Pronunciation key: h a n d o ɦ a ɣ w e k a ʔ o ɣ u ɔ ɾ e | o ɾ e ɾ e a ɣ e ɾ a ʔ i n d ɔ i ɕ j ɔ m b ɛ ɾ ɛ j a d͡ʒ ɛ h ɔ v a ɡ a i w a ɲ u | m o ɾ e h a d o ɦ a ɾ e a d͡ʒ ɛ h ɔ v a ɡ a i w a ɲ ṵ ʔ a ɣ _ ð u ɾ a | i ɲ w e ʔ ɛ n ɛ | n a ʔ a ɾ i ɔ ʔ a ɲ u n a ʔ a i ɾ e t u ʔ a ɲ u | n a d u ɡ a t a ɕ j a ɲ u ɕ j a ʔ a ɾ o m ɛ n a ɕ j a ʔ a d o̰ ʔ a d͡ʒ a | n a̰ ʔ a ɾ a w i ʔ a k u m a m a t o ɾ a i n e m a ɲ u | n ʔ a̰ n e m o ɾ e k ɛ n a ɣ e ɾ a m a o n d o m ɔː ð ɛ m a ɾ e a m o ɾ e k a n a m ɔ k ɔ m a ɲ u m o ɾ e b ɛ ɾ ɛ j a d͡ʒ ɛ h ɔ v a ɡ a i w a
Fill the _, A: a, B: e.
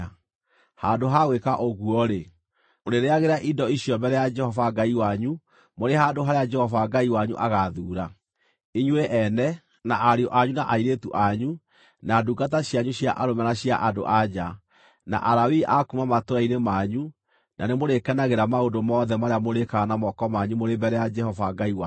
A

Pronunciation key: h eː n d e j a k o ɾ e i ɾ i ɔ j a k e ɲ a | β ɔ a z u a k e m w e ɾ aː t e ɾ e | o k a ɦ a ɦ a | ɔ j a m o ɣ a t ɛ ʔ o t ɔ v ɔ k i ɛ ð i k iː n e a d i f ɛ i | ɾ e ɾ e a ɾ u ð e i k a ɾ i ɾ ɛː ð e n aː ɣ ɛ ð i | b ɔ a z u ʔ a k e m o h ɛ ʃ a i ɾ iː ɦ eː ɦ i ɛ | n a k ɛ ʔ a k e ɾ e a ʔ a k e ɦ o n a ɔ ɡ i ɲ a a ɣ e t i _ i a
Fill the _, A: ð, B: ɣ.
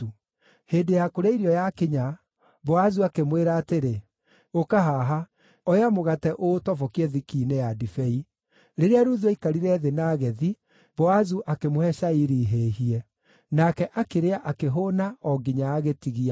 B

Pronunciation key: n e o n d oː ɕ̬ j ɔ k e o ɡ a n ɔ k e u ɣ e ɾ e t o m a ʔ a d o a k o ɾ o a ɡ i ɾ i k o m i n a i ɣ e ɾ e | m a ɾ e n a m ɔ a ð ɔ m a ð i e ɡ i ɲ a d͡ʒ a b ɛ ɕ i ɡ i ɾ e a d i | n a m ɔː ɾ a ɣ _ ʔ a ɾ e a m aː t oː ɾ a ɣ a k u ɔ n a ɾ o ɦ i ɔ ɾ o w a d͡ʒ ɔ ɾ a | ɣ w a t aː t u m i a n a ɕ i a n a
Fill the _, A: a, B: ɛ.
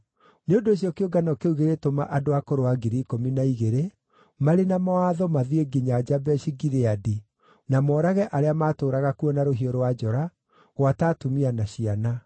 B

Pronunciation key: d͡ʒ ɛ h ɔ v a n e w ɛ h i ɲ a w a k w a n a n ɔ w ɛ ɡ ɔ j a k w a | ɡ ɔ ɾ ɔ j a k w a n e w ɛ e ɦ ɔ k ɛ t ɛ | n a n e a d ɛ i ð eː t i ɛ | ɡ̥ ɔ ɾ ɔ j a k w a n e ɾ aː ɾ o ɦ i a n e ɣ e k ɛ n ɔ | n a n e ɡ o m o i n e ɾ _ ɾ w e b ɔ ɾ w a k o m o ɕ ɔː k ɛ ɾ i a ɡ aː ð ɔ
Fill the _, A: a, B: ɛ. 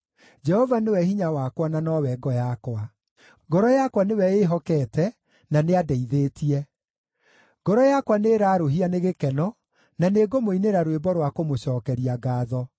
A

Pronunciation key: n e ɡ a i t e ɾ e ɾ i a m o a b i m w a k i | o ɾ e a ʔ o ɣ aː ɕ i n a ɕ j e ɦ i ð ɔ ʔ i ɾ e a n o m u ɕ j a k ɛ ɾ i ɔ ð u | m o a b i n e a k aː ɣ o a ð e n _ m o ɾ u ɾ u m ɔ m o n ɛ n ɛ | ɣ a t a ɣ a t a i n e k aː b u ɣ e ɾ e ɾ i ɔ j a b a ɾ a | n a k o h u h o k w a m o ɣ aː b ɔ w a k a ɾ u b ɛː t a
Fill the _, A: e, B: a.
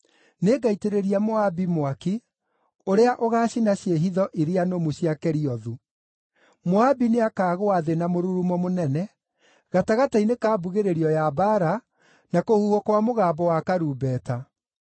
B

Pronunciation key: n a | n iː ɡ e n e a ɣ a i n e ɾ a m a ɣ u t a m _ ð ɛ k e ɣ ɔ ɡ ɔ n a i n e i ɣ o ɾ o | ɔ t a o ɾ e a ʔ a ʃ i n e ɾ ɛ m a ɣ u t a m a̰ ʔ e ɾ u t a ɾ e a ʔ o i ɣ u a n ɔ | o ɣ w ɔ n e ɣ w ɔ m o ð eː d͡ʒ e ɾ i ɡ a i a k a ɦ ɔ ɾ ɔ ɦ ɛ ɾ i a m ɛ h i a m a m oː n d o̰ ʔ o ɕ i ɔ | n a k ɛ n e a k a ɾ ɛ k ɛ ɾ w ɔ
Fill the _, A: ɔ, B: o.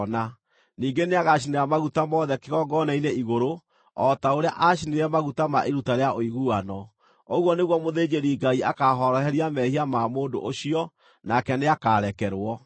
A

